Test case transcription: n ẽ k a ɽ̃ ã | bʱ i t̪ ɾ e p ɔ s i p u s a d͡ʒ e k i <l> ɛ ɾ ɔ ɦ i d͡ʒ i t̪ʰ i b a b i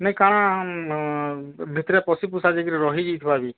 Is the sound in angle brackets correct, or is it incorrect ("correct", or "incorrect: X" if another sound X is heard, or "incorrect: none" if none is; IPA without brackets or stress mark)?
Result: incorrect: ɾ